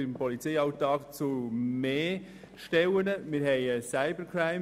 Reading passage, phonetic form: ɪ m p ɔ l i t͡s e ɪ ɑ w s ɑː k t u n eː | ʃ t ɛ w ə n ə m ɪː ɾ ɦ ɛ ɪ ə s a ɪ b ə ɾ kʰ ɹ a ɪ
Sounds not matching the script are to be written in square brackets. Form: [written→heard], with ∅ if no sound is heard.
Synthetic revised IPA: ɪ m p ɔ l i t͡s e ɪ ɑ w [s→t] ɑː k [t→t͡s] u [n→m] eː | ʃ t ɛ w ə n ə m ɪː ɾ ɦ ɛ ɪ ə s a ɪ b ə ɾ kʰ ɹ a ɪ